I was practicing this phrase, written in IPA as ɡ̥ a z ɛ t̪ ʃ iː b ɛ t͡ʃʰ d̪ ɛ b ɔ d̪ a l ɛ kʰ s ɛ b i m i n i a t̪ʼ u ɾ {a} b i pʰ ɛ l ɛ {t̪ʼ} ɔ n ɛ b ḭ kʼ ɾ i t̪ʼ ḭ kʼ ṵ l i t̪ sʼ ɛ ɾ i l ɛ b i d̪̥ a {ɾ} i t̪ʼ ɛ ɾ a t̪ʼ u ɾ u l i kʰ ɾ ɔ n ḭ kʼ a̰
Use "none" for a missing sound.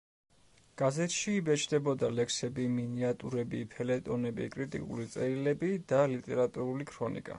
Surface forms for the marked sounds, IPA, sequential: ɛ, t̪ʼ, l

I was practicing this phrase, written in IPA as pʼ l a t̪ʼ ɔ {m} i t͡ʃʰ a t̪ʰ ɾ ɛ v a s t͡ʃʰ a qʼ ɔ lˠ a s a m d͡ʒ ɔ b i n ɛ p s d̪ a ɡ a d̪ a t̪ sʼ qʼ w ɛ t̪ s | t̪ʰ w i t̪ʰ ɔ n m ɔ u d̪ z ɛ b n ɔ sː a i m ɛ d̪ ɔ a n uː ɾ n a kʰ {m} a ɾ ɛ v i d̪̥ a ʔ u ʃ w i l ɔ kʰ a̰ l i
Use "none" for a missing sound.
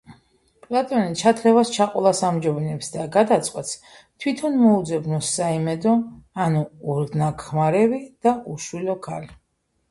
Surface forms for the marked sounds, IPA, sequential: n, m

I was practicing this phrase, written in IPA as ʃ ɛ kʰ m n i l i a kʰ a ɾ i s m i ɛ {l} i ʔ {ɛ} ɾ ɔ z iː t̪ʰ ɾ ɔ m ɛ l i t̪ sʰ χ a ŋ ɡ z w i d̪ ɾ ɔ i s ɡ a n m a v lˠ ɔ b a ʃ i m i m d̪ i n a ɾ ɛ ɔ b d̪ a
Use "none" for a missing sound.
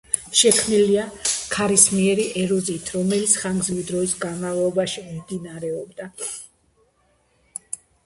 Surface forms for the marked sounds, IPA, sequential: ɾ, ɛ

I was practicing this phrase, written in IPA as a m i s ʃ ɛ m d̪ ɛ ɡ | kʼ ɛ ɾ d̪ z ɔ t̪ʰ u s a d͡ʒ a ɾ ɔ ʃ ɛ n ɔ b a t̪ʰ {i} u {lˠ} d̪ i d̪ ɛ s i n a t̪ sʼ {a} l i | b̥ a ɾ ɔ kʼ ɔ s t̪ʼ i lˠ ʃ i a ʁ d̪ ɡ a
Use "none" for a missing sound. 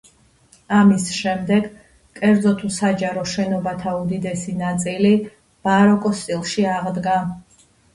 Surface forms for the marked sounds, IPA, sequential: a, none, i

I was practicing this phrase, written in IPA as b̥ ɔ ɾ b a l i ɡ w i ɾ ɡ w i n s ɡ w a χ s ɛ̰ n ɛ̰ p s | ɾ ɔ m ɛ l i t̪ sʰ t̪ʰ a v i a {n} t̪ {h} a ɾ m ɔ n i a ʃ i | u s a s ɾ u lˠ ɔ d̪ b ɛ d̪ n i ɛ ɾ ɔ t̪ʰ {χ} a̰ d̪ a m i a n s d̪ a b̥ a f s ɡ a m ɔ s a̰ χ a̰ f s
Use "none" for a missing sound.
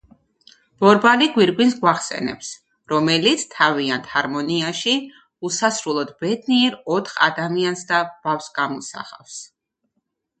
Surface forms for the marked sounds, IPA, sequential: n, h, χ

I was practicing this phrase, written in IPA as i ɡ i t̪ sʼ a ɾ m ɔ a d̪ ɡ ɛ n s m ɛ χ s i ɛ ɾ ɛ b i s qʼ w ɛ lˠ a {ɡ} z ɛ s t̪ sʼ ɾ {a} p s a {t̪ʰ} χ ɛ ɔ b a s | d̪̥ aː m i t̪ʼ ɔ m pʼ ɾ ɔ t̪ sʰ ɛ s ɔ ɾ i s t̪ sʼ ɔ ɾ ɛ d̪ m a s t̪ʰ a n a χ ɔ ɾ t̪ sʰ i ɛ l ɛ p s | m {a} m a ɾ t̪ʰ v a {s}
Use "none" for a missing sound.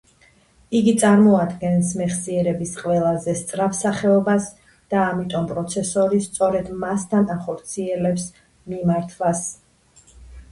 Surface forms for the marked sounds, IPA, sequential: none, a, none, i, s

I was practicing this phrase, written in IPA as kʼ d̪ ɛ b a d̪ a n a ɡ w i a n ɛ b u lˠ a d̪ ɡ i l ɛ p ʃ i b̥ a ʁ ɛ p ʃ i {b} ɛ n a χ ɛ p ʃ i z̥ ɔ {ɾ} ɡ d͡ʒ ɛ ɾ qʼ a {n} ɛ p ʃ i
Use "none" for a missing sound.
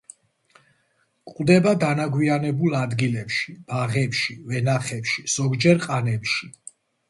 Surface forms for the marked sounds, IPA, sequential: v, none, n

